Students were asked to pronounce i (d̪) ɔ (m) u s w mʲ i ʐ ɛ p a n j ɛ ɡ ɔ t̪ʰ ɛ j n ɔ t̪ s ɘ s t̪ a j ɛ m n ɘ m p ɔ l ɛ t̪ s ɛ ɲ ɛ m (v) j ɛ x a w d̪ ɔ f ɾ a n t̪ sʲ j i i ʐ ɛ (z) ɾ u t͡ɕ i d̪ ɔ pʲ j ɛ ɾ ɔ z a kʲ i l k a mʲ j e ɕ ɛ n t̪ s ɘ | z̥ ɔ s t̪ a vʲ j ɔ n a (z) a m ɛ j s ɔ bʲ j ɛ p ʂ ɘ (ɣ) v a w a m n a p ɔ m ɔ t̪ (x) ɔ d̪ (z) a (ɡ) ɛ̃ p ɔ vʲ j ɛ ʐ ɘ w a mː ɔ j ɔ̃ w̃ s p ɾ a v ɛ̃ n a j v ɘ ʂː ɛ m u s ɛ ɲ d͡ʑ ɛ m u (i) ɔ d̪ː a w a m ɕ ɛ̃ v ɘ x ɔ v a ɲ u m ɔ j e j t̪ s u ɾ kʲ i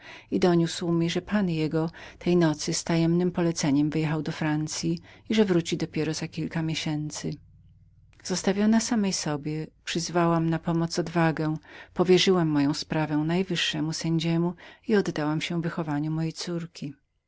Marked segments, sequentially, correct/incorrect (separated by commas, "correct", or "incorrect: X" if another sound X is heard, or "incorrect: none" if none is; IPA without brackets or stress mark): correct, incorrect: ɲ, correct, incorrect: v, incorrect: s, incorrect: z, incorrect: s, incorrect: v, correct, correct